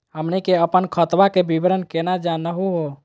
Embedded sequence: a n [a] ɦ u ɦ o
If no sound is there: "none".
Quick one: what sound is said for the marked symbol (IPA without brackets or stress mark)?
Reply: ə